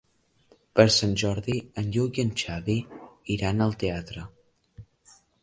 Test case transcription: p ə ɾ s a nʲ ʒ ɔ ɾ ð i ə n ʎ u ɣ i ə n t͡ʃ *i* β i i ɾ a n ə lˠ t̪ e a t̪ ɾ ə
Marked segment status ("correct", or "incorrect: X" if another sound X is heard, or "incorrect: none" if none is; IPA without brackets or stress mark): incorrect: a